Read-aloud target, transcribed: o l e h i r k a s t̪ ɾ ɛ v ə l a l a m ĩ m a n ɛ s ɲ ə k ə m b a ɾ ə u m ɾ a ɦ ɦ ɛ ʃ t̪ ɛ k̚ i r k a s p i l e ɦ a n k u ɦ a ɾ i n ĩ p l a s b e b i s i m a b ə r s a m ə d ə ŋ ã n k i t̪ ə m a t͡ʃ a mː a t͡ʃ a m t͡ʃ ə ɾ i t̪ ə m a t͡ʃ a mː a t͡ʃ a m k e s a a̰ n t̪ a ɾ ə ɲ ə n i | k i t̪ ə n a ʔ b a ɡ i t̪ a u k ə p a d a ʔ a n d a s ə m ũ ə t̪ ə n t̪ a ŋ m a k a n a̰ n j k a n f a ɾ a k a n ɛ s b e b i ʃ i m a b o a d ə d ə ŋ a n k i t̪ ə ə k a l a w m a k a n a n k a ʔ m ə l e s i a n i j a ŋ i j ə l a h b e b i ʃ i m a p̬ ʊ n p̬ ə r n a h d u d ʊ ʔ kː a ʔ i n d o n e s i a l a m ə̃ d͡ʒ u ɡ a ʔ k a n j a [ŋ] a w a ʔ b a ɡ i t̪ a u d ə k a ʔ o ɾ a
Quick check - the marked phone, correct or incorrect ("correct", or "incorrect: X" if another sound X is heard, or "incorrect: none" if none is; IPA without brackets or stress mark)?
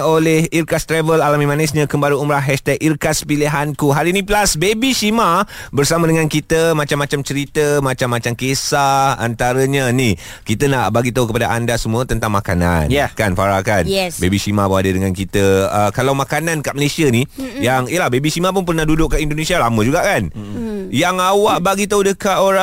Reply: correct